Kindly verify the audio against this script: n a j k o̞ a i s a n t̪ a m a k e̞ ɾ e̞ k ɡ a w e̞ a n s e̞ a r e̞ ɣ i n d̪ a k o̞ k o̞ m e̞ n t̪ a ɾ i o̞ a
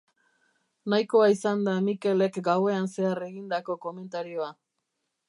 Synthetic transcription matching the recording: n a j k o̞ a i s a n d̪ a m i k e̞ l e̞ k ɡ a w e̞ a n s e̞ a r e̞ ɣ i n d̪ a k o̞ k o̞ m e̞ n t̪ a ɾ i o̞ a